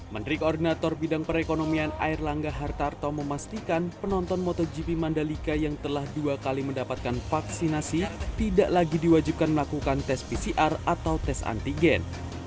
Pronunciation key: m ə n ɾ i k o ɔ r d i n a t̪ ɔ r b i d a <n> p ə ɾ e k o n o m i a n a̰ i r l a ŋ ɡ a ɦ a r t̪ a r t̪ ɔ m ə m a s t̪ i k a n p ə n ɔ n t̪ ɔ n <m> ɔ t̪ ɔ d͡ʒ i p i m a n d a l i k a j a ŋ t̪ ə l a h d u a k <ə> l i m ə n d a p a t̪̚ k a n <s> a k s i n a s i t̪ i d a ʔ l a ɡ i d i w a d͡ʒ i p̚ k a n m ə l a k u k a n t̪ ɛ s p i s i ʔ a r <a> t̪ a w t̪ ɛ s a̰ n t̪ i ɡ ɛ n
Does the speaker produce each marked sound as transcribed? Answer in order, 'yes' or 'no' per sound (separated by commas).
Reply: no, yes, no, no, yes